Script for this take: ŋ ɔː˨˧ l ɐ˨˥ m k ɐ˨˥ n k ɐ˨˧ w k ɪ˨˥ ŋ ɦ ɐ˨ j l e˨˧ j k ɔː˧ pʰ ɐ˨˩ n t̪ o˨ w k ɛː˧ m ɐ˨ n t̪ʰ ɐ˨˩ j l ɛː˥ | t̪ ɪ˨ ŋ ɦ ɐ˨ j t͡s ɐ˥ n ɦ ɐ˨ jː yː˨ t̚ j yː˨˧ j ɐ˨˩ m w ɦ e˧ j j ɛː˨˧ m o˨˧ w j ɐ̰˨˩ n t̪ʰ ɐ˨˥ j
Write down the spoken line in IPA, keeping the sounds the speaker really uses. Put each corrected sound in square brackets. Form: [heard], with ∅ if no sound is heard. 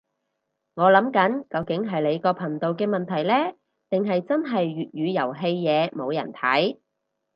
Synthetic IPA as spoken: ŋ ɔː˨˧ l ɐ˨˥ m k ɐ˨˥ n k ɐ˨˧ w k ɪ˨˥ ŋ ɦ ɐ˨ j l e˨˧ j k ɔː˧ pʰ ɐ˨˩ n t̪ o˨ w k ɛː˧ m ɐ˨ n t̪ʰ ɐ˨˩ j l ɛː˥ | t̪ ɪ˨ ŋ ɦ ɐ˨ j t͡s ɐ˥ n ɦ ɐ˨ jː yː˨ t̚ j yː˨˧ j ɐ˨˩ [∅] w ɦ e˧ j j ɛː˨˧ m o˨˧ w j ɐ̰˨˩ n t̪ʰ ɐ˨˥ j